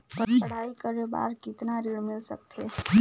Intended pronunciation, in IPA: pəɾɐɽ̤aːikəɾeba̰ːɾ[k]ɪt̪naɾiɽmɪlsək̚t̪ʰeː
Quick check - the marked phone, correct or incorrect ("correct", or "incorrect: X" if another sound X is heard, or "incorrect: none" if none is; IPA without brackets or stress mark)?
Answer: correct